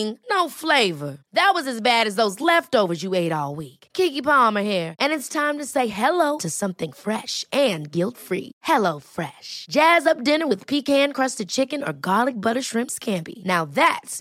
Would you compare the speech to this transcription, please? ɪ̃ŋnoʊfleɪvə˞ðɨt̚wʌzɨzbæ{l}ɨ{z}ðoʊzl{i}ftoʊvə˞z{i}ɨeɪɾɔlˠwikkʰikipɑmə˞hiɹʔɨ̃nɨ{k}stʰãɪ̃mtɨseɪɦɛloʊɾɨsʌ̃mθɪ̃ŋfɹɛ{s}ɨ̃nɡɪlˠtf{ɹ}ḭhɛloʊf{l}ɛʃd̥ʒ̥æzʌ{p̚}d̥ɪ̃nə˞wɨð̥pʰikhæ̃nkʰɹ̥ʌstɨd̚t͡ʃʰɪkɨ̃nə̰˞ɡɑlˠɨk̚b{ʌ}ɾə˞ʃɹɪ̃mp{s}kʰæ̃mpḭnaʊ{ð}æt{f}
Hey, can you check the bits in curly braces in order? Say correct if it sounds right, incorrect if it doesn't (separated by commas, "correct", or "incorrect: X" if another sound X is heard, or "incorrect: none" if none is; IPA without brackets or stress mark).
incorrect: ɾ, correct, incorrect: ɛ, incorrect: j, incorrect: t, incorrect: ʃ, correct, incorrect: ɹ, correct, correct, correct, correct, incorrect: s